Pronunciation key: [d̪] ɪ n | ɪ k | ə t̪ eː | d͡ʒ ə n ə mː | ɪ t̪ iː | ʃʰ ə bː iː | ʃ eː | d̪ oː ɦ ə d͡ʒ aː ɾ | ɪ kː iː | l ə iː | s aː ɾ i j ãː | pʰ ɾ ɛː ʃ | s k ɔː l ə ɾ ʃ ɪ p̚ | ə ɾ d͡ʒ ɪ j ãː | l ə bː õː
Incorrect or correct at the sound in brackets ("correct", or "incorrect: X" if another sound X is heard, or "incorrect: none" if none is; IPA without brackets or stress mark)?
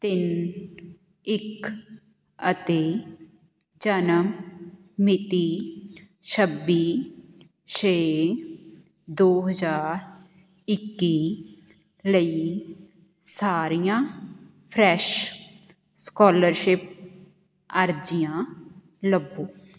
incorrect: t̪